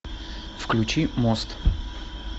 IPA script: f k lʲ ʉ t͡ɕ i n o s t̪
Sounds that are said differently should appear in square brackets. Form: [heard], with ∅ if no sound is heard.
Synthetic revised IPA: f k lʲ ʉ t͡ɕ i [m] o s t̪